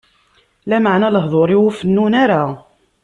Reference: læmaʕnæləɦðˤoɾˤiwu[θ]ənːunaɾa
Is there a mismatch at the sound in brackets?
yes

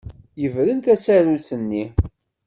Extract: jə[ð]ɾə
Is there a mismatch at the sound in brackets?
yes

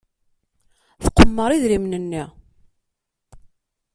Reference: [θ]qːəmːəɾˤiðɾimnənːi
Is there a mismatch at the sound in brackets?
no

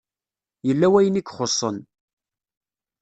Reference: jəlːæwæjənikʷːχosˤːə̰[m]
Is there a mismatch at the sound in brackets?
yes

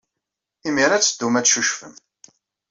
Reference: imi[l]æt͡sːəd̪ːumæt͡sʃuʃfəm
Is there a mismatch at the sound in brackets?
yes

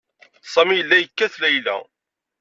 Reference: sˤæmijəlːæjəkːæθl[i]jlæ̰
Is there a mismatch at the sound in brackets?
yes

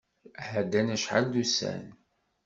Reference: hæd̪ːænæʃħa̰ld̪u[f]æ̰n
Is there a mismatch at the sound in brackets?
yes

